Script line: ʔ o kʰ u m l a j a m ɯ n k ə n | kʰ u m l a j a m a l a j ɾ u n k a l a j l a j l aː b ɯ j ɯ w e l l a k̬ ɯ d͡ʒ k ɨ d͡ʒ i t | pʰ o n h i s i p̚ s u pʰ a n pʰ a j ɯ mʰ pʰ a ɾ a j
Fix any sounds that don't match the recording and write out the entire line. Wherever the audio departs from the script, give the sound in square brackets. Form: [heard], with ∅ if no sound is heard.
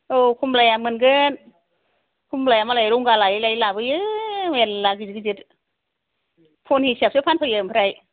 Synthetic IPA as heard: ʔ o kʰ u m l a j a m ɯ n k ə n | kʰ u m l a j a m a l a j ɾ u [ŋ] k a l a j l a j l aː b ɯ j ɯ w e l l a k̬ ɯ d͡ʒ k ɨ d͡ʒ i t | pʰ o n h i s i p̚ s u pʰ a n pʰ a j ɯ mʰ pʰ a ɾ a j